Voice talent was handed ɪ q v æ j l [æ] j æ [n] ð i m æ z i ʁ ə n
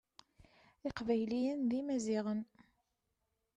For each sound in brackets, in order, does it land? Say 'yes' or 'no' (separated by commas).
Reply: no, yes